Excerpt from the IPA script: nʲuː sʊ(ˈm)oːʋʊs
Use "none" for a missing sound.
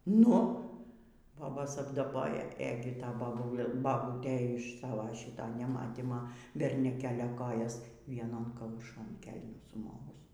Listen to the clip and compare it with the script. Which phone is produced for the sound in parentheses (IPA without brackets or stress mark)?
m